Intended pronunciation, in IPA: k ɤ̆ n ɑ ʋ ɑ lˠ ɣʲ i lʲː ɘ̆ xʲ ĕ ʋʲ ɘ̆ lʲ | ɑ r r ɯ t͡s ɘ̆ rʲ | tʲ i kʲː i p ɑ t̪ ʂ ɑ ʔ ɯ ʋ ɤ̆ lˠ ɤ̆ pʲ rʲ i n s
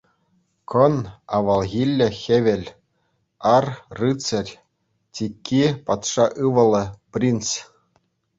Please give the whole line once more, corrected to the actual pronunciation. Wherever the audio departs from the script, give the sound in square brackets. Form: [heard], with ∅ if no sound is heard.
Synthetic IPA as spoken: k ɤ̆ n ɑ ʋ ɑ lˠ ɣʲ i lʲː ɘ̆ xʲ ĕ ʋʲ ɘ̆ lʲ | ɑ r r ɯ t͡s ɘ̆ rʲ | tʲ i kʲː i p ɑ t̪ ʂ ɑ ʔ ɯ ʋ ɤ̆ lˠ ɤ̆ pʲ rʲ i n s